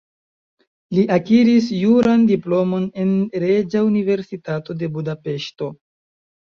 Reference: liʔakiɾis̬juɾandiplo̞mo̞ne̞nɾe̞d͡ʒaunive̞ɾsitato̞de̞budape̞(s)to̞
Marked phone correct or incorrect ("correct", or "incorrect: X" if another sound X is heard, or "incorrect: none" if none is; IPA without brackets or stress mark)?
incorrect: ʃ